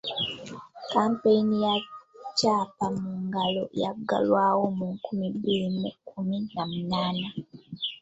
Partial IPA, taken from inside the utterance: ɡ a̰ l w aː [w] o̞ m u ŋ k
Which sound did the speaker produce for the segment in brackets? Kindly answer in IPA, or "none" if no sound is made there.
w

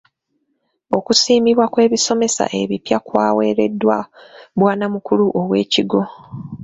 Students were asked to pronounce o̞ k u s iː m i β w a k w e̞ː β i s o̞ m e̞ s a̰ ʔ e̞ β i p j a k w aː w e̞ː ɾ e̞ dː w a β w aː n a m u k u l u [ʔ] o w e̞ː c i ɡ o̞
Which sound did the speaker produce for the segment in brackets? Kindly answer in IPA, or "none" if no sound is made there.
ʔ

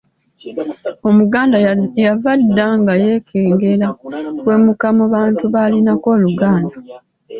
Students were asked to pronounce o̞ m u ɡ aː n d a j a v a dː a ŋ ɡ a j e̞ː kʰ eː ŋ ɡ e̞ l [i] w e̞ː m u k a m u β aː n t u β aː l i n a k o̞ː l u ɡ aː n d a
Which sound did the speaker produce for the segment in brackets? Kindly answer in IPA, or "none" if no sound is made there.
a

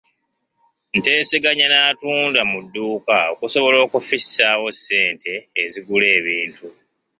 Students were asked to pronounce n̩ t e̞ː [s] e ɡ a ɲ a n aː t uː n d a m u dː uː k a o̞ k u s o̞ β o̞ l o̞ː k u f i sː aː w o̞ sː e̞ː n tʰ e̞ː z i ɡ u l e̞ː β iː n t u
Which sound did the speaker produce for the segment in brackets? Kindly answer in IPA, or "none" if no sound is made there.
s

